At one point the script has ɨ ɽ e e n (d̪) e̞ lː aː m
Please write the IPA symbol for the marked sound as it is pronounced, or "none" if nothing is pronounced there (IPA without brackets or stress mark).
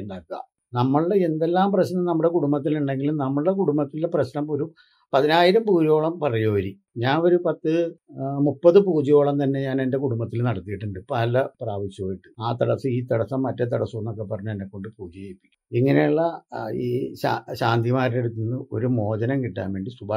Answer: d̪